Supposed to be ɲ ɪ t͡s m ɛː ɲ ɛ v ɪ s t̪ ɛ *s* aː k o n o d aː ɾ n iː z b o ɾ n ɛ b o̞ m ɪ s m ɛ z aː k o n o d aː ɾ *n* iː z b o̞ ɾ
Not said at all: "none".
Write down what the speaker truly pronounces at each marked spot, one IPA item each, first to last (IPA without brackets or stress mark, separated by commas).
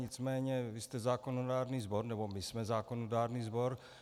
z, n